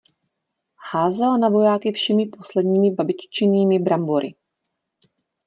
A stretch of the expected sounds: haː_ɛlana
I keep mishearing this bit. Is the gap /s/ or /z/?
z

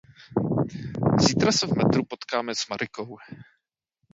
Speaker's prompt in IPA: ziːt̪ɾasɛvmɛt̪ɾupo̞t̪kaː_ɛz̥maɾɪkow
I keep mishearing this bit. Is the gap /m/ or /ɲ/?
m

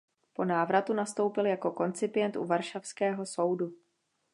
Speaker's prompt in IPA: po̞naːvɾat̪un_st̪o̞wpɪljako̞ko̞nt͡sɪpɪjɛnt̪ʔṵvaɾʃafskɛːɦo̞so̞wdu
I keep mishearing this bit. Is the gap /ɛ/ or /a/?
a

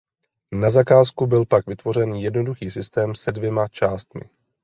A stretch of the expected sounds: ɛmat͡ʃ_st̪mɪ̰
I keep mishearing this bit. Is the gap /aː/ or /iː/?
aː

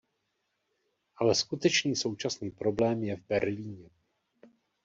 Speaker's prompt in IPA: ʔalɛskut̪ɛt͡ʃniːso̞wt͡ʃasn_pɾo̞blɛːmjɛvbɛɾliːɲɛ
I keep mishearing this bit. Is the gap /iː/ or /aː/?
iː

